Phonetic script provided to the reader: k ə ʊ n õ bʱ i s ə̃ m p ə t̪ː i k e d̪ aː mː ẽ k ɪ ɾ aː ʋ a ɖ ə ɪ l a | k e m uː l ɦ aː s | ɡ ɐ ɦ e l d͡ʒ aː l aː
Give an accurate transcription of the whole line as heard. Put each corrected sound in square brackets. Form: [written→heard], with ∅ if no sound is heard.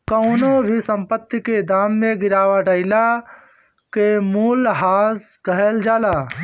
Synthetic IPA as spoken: k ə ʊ n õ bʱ i s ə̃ m p ə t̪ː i k e d̪ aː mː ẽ [k→ɡ] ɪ ɾ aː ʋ a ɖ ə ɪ l a | k e m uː l ɦ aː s | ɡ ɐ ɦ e l d͡ʒ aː l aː